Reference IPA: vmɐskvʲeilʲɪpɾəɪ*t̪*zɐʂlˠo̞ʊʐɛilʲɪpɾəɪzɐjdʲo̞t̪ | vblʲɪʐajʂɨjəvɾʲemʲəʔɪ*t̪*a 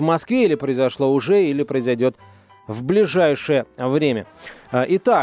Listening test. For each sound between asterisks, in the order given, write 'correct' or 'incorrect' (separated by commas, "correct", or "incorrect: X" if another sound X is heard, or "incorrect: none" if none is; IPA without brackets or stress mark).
incorrect: none, correct